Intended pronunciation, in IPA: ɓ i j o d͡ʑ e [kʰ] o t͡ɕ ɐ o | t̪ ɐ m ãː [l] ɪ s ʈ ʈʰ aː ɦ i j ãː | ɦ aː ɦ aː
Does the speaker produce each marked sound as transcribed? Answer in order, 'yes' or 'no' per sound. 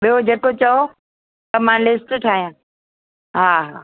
no, yes

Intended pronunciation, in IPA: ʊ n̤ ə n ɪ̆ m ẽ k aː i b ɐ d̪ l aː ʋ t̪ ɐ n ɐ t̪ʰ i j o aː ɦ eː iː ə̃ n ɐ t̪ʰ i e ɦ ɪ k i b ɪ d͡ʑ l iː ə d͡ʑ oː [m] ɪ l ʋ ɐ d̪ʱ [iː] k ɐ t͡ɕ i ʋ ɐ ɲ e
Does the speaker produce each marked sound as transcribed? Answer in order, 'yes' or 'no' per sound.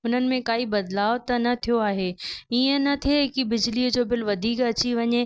no, yes

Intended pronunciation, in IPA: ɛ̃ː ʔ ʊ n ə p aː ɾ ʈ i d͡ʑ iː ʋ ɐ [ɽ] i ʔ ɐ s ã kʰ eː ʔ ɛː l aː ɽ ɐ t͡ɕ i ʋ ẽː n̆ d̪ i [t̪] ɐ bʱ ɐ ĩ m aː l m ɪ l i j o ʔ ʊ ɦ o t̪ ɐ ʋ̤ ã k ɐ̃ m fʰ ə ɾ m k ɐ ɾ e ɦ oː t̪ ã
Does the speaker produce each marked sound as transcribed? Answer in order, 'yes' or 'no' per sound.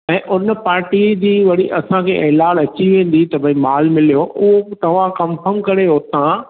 yes, yes

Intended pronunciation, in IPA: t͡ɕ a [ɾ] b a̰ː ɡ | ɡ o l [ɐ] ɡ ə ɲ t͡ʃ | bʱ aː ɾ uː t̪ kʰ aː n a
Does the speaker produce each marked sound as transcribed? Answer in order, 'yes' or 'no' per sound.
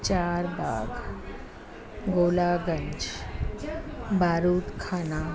yes, no

